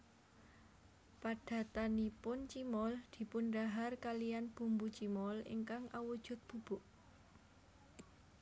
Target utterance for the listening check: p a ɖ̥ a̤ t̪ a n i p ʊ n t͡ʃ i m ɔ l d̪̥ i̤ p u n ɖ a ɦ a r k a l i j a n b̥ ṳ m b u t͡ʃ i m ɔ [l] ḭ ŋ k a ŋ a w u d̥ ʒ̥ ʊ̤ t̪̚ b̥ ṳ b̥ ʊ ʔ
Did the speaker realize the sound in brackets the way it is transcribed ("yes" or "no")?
yes